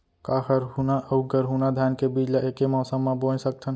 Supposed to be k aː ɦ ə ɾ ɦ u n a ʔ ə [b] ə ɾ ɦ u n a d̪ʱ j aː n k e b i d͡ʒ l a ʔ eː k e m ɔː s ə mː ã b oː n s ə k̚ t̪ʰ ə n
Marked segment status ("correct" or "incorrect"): incorrect